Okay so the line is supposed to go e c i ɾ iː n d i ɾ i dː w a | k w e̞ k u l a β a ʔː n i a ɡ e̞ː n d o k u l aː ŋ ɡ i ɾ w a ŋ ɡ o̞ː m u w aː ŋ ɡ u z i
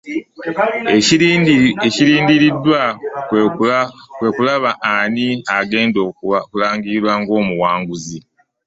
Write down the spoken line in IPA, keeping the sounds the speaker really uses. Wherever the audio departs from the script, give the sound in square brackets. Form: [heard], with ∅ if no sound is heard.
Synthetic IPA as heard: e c i ɾ iː n d i ɾ i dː w a | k w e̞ k u l a β a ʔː n i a ɡ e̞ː n d o k u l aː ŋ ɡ i ɾ w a ŋ ɡ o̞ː m u w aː ŋ ɡ u z i